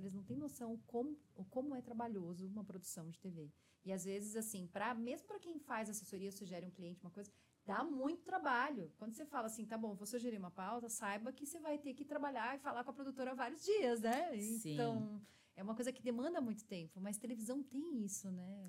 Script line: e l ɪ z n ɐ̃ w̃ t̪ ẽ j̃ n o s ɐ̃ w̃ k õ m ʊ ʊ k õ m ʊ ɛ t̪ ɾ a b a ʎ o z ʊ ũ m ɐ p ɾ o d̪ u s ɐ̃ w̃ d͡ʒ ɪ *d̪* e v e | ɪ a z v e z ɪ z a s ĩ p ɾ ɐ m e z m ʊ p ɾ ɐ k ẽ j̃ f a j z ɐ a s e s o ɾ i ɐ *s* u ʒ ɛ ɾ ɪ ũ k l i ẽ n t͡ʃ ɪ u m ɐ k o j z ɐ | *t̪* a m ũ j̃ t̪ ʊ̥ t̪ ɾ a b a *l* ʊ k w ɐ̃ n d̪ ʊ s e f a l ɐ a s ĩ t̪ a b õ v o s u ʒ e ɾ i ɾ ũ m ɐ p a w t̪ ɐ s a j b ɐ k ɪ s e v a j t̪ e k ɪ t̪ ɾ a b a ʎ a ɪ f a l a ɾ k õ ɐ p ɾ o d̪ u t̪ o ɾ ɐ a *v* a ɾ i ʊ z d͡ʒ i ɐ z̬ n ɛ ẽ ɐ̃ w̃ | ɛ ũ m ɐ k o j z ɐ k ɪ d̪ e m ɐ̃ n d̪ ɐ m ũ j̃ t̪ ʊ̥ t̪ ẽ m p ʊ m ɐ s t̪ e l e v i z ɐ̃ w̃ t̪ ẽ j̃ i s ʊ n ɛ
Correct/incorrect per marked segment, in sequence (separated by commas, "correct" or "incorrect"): incorrect, correct, incorrect, incorrect, correct